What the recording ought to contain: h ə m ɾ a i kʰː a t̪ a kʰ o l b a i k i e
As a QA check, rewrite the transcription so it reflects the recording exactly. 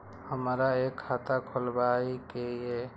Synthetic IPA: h ə m ɾ a e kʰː a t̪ a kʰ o l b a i k e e

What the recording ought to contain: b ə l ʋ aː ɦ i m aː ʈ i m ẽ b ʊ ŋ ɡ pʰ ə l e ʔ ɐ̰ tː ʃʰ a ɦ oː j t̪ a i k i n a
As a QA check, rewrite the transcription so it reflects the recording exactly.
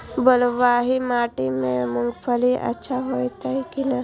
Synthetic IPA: b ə l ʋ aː ɦ i m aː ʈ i m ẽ m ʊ ŋ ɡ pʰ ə l i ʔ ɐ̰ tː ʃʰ a ɦ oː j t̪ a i k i n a

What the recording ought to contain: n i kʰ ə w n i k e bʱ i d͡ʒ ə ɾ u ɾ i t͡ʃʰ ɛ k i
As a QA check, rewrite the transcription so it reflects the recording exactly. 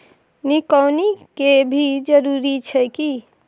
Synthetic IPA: n i k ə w n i k e bʱ i d͡ʒ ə ɾ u ɾ i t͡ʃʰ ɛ k i

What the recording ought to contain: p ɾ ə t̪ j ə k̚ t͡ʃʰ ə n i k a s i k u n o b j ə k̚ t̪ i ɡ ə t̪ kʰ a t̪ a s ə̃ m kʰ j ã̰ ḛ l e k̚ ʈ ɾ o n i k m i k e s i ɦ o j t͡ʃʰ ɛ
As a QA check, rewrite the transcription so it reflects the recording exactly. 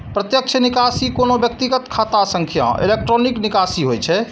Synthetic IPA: p ɾ ə t̪ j ə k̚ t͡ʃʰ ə n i k a s i k o n o b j ə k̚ t̪ i ɡ ə t̪ kʰ a t̪ a s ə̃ ŋ kʰ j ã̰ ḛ l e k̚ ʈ ɾ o n i k n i k a s i ɦ o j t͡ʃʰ ɛ

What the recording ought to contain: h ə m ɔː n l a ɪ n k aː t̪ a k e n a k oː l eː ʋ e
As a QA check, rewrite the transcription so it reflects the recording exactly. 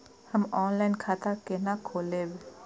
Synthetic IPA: h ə m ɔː n l a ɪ n kʰ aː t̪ a k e n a kʰ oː l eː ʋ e

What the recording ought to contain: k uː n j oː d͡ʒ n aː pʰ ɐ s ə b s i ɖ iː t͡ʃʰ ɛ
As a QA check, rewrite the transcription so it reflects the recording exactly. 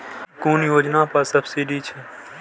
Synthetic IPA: k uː n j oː d͡ʒ n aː p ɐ s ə b s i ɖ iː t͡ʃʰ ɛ

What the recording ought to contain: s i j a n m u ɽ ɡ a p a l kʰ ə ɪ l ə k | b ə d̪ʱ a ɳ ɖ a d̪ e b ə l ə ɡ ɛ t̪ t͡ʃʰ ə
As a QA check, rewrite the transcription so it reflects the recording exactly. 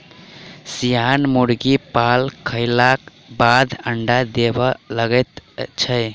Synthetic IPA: s i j a n m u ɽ ɡ i p a l kʰ ə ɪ l a k | b a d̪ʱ ə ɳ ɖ a d̪ e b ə l ə ɡ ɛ t̪ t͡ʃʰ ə

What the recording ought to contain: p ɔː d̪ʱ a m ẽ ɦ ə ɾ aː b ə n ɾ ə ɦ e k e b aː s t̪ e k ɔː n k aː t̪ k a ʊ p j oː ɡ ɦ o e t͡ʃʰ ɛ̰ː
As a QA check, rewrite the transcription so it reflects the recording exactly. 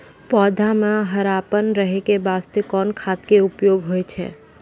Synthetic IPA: p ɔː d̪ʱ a m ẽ ɦ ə ɾ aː p ə n ɾ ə ɦ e k e b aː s t̪ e k ɔː n kʰ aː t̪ k e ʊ p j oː ɡ ɦ o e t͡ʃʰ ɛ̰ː

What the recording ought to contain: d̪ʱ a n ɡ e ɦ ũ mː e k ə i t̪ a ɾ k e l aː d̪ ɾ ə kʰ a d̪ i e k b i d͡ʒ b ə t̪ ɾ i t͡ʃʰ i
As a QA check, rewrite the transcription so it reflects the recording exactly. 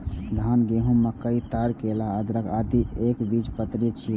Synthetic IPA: d̪ʱ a n ɡ e ɦ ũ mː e k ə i t̪ a ɾ k e l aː d̪ ɾ ə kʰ a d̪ i e k b i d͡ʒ p ə t̪ ɾ i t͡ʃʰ i

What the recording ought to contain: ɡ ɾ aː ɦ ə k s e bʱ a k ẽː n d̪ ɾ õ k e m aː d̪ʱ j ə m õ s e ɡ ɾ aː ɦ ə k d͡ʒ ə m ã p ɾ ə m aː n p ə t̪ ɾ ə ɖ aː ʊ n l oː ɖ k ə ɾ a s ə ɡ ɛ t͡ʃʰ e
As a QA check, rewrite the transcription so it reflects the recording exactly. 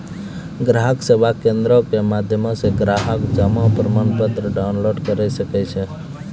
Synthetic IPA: ɡ ɾ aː ɦ ə k s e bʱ a k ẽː n d̪ ɾ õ k e m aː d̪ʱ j ə m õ s e ɡ ɾ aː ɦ ə k d͡ʒ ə m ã p ɾ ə m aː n p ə t̪ ɾ ə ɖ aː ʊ n l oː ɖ k ə ɾ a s ə k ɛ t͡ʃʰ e

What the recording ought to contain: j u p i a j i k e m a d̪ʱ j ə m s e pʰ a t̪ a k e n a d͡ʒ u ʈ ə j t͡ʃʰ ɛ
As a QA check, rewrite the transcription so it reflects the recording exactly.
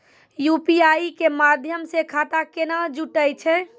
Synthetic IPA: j u p i a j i k e m a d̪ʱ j ə m s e kʰ a t̪ a k e n a d͡ʒ u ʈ ə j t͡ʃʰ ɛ

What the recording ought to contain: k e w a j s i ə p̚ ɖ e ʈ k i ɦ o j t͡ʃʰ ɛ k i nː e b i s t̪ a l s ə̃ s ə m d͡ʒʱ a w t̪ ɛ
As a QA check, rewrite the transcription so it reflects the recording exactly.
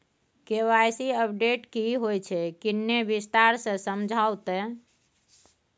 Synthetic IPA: k e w a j s i ə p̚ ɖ e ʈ k i ɦ o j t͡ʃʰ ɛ k i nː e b i s t̪ a ɾ s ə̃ s ə m d͡ʒʱ a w t̪ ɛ

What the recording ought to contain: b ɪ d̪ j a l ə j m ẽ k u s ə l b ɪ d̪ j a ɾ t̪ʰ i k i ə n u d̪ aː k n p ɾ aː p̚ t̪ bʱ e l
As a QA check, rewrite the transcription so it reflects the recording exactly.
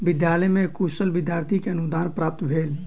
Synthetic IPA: b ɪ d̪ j a l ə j m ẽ k u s ə l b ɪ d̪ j a ɾ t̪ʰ i k e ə n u d̪ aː n p ɾ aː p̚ t̪ bʱ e l

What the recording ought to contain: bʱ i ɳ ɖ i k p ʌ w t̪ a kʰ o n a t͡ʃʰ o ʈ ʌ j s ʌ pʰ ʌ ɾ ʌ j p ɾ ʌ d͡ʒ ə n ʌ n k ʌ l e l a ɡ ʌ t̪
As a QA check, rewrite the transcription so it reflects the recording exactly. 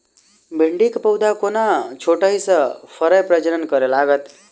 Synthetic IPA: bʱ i ɳ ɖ i k p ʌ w d̪ a k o n a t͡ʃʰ o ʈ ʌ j s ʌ pʰ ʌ ɾ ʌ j p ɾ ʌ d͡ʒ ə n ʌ n k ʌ ɾ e l a ɡ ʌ t̪

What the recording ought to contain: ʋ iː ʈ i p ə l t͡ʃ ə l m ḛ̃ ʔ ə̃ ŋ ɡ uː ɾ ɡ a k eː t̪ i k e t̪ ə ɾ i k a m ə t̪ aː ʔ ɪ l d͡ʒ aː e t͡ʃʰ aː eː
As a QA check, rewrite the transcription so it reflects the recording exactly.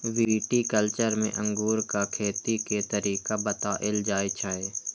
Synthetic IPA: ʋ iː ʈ i k ə l t͡ʃ ə ɾ m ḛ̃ ʔ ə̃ ŋ ɡ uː ɾ k a kʰ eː t̪ i k e t̪ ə ɾ iː k a b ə t̪ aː ʔ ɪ l d͡ʒ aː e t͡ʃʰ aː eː

